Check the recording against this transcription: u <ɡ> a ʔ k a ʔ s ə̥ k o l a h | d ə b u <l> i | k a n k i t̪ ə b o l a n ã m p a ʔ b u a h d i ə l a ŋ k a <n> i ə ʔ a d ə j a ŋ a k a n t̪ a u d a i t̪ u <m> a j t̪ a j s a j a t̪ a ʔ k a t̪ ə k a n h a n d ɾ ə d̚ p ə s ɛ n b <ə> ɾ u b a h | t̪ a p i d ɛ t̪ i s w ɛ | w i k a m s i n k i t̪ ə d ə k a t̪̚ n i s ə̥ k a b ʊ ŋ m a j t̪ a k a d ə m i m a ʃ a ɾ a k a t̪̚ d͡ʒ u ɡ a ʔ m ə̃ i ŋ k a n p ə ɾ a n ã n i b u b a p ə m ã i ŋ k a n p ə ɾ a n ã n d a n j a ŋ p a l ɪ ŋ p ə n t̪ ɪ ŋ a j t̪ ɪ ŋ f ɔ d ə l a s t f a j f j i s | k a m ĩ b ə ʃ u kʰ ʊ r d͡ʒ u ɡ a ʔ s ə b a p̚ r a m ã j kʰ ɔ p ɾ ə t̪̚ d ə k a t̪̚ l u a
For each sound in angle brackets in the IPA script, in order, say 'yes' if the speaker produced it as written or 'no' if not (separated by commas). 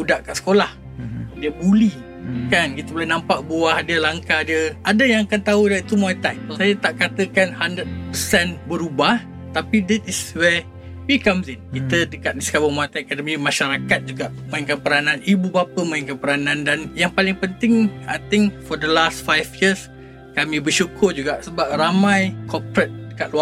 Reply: no, yes, no, yes, yes